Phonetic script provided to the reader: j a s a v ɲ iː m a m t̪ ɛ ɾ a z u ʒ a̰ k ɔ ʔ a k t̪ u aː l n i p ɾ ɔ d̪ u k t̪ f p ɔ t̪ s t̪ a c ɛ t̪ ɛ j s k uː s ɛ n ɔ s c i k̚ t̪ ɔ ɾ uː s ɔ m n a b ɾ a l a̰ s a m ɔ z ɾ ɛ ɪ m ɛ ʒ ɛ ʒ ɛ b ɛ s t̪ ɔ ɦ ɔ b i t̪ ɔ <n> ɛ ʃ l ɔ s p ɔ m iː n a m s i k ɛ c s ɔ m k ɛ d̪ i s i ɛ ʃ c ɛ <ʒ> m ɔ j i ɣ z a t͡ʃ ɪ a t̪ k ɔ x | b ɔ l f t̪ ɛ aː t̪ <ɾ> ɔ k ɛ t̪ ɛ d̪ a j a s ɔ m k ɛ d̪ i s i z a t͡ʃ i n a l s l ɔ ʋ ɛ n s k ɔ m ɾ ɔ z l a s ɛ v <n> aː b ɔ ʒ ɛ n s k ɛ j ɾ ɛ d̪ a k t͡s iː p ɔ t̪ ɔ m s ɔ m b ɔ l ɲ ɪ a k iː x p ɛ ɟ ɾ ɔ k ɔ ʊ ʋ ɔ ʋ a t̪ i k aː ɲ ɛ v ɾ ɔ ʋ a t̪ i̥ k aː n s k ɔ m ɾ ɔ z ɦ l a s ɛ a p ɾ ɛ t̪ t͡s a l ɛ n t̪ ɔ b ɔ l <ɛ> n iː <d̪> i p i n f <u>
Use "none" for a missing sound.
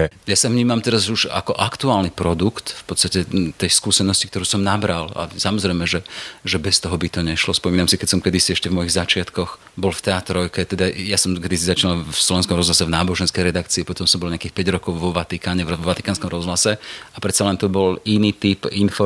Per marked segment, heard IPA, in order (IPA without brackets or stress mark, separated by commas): ɲ, v, ɾ, n, i, t̪, ɔ